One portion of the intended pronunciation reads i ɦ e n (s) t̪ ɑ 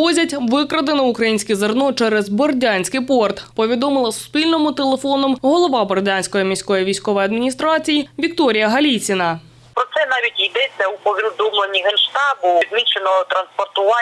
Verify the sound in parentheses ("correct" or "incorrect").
incorrect